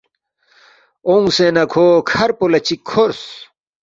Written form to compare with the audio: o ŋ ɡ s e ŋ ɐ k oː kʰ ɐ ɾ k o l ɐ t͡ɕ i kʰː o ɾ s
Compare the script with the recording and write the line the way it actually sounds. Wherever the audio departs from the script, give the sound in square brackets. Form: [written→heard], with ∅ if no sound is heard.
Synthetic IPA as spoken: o ŋ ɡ s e [ŋ→n] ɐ [k→kʰ] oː kʰ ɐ ɾ [k→p] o l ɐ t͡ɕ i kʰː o ɾ s

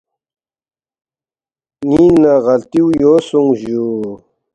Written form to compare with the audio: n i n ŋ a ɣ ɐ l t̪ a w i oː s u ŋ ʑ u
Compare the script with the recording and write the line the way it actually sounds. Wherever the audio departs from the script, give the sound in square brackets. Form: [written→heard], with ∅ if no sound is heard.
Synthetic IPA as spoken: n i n [ŋ→n] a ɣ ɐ l t̪ [a→i] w [i→j] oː s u ŋ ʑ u

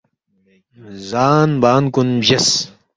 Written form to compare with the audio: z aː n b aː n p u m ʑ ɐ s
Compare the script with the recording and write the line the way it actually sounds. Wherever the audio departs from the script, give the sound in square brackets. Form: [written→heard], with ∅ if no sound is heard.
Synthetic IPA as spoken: z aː n b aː n [p→k] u [m→n] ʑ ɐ s

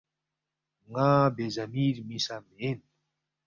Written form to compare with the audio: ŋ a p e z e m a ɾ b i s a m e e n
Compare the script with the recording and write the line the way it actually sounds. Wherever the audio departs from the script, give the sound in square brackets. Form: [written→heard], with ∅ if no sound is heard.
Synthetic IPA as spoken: ŋ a [p→b] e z [e→a] m [a→i] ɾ [b→m] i s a m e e n

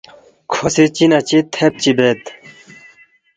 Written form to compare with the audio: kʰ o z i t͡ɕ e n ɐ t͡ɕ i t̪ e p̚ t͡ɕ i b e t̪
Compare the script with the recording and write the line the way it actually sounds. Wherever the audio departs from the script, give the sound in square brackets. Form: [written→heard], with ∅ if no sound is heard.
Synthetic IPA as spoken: kʰ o [z→s] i t͡ɕ [e→i] n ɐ t͡ɕ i [t̪→t̪ʰ] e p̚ t͡ɕ i b e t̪

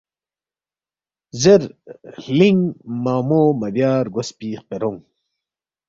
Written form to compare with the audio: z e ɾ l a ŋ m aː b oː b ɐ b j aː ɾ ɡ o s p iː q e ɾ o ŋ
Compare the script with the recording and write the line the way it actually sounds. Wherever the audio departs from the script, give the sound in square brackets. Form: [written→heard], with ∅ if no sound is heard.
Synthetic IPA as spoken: z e ɾ l [a→i] ŋ m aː [b→m] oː [b→m] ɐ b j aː ɾ ɡ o s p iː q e ɾ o ŋ

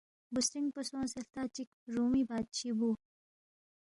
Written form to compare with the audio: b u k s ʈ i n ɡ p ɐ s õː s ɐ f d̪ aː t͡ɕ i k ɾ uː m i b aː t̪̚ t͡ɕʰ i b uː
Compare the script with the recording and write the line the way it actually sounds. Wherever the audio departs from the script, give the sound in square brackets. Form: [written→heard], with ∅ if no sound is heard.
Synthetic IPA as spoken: b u [k→∅] s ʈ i [n→ŋ] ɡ p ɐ s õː s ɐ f [d̪→t̪] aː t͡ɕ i k ɾ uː m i b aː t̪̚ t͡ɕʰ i b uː

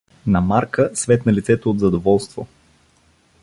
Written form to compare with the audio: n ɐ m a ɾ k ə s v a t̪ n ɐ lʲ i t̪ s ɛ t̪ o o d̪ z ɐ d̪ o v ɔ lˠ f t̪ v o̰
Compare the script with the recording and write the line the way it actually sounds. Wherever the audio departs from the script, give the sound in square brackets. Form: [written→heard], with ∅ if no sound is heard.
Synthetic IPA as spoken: n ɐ m a ɾ k ə s v [a→ɛ] t̪ n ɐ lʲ i t̪ s ɛ t̪ o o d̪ z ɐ d̪ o v ɔ lˠ [f→s] t̪ v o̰

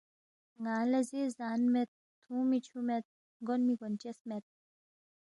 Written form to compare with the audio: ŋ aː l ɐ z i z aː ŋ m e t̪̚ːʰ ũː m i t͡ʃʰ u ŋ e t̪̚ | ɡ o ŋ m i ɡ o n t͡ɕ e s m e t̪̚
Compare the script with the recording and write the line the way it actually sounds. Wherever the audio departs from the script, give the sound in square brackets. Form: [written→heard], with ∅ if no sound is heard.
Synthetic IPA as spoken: ŋ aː l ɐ z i z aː [ŋ→n] m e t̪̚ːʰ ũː m i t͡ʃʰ u [ŋ→m] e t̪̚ | ɡ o [ŋ→n] m i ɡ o n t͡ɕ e s m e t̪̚

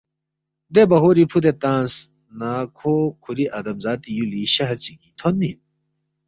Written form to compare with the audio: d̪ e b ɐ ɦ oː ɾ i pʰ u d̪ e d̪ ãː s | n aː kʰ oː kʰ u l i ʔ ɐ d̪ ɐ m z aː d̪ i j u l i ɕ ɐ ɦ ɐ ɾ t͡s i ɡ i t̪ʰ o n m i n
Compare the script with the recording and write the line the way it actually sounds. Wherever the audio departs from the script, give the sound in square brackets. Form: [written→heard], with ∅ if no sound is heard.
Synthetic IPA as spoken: d̪ e b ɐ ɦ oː ɾ i pʰ u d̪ e [d̪→t̪] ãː s | n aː kʰ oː kʰ u [l→ɾ] i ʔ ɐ d̪ ɐ m z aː [d̪→t̪] i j u l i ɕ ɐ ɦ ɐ ɾ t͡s i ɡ i t̪ʰ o n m i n

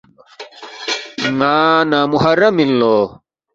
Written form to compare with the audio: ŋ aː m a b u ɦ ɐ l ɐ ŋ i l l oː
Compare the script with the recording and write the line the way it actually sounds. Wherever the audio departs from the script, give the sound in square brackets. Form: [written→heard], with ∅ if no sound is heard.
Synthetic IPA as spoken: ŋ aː [m→n] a [b→m] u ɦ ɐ [l→ɾ] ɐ [ŋ→m] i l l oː

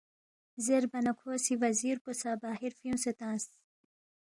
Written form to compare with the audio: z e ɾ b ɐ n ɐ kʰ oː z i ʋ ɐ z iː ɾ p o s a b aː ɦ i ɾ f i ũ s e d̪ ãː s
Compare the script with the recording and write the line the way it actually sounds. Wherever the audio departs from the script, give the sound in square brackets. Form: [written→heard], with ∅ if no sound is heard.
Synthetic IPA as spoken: z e ɾ b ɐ n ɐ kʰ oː [z→s] i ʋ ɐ z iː ɾ p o s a b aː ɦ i ɾ f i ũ s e [d̪→t̪] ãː s

